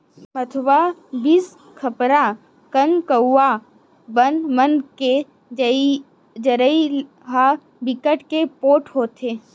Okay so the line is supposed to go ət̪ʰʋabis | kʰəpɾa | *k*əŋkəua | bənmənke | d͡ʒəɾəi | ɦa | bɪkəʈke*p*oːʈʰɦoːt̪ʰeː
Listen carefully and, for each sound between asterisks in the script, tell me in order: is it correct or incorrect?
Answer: correct, correct

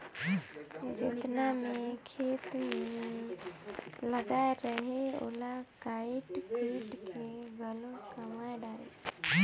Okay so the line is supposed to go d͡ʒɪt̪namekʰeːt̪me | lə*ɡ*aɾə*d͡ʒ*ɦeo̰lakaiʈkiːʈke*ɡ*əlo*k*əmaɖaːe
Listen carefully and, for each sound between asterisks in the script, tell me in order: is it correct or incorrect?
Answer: correct, incorrect, correct, correct

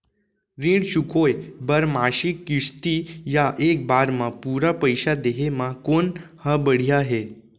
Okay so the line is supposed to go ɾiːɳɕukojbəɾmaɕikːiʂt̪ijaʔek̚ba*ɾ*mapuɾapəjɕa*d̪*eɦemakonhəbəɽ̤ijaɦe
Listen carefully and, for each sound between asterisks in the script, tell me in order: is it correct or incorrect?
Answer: correct, correct

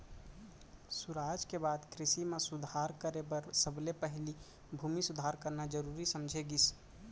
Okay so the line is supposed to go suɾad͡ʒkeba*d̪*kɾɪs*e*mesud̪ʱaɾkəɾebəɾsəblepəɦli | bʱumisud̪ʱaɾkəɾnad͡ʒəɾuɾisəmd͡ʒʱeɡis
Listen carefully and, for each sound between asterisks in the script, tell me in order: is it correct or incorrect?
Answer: correct, incorrect

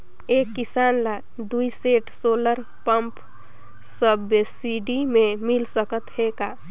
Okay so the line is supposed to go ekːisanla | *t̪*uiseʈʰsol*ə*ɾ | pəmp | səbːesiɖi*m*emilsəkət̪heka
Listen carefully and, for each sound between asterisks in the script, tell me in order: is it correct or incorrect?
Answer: incorrect, correct, correct

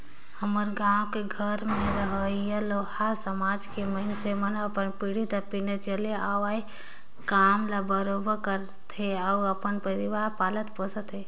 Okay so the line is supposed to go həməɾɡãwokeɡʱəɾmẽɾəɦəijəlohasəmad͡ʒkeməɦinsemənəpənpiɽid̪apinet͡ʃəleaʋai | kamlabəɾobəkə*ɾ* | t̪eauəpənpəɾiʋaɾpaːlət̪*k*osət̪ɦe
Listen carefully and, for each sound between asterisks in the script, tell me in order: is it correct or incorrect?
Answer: correct, incorrect

